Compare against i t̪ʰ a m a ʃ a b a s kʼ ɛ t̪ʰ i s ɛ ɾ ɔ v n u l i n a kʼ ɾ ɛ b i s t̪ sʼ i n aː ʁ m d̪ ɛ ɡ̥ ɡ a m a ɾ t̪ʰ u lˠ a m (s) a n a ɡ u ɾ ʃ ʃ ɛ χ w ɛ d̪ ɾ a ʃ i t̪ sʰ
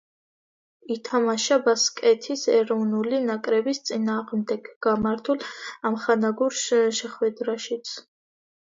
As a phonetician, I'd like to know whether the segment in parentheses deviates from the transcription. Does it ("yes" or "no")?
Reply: yes